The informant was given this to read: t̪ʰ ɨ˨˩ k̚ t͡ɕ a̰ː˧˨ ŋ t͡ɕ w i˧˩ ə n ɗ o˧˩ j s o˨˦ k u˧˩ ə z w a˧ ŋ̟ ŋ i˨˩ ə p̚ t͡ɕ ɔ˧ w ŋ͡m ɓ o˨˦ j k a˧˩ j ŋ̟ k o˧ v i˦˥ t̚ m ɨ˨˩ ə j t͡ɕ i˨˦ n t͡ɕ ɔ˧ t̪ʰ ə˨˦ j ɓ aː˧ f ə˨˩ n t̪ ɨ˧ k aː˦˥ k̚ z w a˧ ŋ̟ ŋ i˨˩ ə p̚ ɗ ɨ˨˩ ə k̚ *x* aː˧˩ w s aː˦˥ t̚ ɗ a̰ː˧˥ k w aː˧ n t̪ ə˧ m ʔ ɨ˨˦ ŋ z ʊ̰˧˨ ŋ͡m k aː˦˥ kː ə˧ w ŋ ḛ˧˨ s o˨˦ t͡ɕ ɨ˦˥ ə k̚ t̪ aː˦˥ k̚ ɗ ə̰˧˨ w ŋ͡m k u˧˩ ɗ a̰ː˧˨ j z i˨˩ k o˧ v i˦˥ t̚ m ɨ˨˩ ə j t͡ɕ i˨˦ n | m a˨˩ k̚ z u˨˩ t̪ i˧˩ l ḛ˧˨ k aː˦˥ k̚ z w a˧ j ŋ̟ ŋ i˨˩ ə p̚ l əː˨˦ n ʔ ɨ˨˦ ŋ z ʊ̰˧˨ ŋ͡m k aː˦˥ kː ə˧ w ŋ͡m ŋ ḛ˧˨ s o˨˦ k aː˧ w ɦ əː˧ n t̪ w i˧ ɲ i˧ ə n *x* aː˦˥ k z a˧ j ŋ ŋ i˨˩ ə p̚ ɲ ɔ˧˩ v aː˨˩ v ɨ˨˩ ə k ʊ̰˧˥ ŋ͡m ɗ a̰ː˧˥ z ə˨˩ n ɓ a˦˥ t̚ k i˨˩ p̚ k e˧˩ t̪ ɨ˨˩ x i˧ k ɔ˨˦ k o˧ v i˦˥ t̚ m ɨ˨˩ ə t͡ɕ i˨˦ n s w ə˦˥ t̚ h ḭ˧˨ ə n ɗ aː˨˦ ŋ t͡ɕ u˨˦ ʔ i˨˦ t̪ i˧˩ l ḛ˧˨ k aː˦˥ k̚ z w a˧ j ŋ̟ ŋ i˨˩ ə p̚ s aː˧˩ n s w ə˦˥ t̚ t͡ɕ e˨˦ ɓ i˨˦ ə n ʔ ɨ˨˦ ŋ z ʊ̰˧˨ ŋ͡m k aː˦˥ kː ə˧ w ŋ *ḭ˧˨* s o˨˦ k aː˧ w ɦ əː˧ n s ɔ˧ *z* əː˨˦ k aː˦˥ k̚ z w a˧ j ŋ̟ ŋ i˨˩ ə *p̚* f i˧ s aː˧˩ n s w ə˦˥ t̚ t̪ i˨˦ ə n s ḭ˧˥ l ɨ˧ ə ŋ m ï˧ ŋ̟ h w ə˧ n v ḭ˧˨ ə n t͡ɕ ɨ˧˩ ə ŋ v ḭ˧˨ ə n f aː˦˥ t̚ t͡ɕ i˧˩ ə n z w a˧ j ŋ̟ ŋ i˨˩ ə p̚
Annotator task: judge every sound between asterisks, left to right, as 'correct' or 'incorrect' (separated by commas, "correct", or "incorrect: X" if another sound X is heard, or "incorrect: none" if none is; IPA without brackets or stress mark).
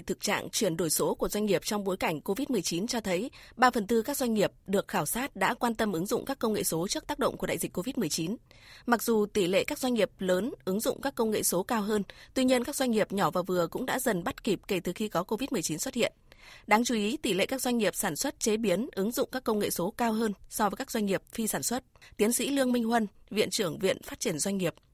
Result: correct, incorrect: k, incorrect: ḛ˧˨, incorrect: v, correct